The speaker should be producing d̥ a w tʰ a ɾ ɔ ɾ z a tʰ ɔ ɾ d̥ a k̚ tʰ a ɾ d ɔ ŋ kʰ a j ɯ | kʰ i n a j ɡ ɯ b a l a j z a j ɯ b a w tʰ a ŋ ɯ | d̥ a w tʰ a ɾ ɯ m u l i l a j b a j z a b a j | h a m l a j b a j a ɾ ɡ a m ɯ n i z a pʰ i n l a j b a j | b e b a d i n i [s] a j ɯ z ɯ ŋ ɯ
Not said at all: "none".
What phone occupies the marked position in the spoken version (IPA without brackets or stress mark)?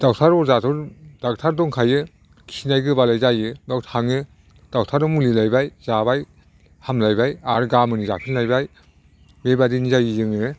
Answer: z